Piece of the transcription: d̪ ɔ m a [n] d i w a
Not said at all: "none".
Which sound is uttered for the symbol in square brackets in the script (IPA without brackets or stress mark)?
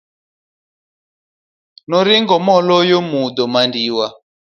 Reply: n